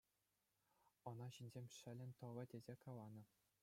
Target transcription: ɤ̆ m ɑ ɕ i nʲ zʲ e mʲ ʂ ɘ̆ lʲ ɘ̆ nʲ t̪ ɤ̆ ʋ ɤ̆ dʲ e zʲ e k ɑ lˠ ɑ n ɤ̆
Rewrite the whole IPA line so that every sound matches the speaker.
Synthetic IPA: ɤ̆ n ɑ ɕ i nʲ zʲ e mʲ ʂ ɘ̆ lʲ ɘ̆ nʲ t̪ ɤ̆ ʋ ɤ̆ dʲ e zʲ e k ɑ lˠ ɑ n ɤ̆